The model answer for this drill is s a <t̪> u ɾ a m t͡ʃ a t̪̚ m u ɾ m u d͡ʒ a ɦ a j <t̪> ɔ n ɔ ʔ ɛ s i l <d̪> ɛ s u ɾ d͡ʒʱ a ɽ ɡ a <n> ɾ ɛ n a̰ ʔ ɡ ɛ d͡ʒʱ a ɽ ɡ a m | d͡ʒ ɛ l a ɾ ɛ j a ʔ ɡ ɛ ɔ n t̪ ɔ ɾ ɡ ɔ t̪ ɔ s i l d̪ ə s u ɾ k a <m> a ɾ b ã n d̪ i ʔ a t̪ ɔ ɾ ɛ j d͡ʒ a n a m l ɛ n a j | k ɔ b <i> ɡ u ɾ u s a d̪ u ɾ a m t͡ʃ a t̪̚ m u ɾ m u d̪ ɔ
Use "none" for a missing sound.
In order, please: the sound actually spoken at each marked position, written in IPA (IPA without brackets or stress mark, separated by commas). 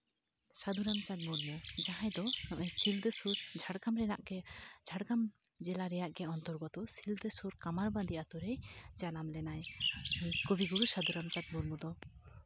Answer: d̪, d̪, d̪, m, m, i